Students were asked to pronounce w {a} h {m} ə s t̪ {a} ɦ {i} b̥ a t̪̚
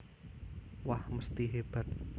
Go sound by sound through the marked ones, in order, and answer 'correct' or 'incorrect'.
correct, correct, incorrect: i, incorrect: e

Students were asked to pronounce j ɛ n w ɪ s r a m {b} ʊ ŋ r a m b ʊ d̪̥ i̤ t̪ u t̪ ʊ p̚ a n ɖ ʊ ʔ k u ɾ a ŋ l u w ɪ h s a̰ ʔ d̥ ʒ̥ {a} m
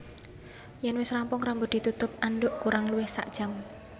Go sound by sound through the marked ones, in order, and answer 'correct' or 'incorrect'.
incorrect: p, correct

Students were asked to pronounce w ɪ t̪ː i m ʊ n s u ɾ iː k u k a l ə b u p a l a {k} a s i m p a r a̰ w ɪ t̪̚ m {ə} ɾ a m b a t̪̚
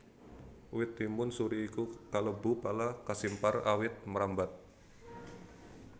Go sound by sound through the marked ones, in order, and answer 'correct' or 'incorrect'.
correct, correct

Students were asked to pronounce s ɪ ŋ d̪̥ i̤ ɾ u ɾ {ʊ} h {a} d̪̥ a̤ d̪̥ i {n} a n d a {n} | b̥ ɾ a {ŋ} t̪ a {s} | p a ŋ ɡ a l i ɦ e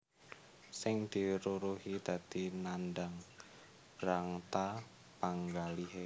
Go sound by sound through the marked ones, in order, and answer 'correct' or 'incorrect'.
incorrect: u, incorrect: i, correct, incorrect: ŋ, correct, incorrect: none

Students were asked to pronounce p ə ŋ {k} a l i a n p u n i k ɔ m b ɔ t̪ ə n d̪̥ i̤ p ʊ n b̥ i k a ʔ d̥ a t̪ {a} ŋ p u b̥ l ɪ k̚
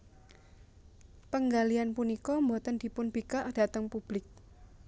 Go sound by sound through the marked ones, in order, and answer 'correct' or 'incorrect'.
incorrect: ɡ, incorrect: ə

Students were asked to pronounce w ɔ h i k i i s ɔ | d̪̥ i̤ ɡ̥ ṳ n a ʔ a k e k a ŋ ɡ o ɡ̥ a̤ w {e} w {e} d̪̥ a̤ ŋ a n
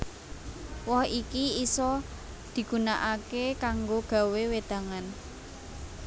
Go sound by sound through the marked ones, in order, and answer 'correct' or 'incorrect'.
correct, correct

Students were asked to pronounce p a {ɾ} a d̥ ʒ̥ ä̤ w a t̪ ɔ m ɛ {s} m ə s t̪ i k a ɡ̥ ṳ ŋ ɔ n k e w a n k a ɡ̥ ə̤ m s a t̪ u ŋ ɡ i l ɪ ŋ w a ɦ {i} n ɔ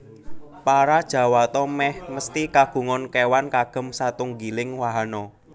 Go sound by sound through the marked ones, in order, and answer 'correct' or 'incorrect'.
correct, incorrect: h, incorrect: a

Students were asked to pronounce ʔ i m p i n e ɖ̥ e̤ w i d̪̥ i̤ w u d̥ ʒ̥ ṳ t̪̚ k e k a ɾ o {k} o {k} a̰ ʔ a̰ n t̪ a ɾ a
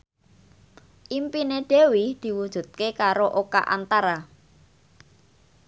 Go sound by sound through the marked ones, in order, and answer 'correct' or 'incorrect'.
incorrect: ʔ, correct

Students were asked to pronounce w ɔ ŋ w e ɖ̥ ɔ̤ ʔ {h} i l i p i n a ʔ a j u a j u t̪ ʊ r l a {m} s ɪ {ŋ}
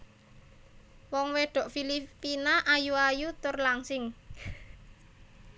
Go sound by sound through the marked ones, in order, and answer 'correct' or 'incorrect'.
incorrect: f, incorrect: ŋ, correct

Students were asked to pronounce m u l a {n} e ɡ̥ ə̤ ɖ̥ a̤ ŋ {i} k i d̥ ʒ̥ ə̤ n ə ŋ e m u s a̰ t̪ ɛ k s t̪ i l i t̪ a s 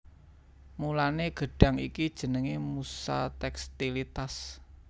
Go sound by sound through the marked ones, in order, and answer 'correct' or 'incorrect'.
correct, correct

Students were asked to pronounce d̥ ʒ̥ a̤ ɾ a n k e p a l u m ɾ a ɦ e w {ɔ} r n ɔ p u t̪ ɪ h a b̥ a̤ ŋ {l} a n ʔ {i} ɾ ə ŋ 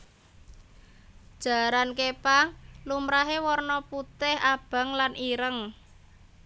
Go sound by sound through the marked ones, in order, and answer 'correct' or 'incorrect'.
correct, correct, correct

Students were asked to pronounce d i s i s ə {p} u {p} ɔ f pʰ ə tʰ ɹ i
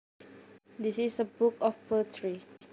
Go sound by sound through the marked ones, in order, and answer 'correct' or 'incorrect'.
incorrect: b, incorrect: k

